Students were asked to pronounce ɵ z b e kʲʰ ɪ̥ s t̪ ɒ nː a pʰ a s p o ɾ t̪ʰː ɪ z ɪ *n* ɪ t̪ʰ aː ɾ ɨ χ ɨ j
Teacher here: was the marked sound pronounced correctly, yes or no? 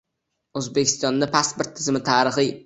no